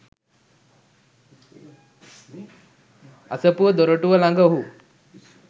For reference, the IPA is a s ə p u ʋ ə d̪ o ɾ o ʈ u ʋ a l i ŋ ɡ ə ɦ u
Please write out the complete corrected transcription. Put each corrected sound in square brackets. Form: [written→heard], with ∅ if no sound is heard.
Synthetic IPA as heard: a s ə p u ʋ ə d̪ o ɾ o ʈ u ʋ [a→ə] l [i→a] ŋ ɡ ə ɦ u